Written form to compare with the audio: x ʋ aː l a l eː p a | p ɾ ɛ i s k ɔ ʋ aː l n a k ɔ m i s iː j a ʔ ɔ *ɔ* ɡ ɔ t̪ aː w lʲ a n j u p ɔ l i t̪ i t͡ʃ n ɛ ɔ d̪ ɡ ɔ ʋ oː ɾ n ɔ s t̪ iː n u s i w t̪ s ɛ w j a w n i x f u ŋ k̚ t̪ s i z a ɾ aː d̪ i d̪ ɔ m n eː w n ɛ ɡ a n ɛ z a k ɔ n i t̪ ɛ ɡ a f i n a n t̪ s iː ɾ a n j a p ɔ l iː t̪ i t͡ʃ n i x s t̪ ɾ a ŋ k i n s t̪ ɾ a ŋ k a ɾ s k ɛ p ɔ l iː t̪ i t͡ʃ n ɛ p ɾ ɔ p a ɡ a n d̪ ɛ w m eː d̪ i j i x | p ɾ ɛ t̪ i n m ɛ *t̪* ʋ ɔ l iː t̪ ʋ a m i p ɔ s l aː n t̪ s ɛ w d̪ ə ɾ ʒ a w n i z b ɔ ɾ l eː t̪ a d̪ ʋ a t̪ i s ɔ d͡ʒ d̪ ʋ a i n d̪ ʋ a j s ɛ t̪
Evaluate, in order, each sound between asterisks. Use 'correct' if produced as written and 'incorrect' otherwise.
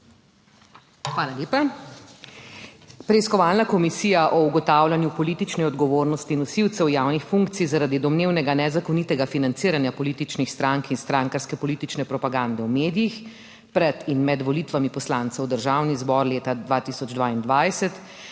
incorrect, incorrect

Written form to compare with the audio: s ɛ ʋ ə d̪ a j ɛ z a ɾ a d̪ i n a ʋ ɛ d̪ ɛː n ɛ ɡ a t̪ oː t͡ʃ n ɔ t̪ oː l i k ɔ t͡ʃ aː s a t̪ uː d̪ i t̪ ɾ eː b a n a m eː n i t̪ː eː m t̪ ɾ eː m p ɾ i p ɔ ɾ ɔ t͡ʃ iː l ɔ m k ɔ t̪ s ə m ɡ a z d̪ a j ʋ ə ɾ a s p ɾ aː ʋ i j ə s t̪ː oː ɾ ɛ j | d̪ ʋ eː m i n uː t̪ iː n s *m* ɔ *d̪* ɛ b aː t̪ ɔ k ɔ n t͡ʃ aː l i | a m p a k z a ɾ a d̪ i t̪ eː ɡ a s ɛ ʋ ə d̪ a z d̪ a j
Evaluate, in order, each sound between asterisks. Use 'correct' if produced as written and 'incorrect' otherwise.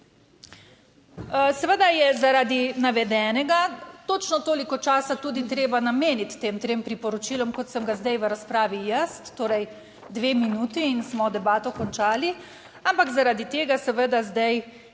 correct, correct

